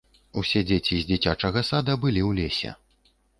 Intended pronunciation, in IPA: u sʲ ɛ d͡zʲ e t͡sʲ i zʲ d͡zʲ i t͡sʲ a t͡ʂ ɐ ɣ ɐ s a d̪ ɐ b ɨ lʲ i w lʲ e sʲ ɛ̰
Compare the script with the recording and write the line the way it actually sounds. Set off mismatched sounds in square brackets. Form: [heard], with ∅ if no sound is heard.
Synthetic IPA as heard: u sʲ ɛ d͡zʲ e t͡sʲ i zʲ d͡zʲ i t͡sʲ a t͡ʂ ɐ ɣ ɐ s a d̪ ɐ b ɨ lʲ i w lʲ e sʲ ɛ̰